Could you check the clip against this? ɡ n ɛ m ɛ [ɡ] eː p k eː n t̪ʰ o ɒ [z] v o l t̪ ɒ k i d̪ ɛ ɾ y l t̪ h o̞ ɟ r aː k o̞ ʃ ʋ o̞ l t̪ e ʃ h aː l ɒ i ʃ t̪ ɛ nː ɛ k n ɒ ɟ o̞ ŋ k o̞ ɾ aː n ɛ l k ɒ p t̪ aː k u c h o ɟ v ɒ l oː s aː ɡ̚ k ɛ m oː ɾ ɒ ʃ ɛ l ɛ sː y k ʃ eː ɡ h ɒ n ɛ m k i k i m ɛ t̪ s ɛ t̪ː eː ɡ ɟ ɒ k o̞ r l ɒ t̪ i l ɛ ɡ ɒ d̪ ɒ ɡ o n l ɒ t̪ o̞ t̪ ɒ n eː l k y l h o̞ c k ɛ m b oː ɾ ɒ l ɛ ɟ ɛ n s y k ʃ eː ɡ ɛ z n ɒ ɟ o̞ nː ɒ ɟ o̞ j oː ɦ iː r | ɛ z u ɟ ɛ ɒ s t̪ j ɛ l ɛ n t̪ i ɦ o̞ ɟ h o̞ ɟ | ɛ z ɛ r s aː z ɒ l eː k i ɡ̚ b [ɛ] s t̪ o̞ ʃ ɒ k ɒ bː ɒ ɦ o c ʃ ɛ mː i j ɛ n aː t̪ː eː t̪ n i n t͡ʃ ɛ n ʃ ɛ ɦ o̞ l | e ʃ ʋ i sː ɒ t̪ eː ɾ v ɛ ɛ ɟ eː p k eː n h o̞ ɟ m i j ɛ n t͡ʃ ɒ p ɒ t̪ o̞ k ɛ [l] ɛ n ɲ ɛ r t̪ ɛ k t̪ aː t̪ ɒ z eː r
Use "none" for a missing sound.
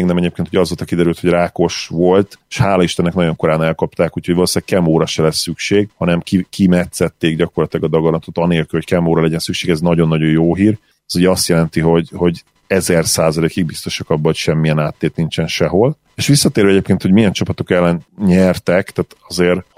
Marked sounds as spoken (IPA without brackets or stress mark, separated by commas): ɟ, z, i, lː